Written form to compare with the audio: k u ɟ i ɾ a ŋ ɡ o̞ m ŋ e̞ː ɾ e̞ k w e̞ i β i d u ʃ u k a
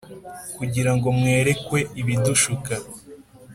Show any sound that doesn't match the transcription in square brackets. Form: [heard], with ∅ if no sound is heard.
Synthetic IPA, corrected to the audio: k u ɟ i ɾ a ŋ ɡ o̞ m ŋ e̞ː ɾ e̞ k w e̞ i β i d u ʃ u k a